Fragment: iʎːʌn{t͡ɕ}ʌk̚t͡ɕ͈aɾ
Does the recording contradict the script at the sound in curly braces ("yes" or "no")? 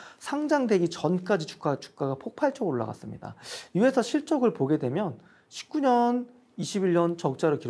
no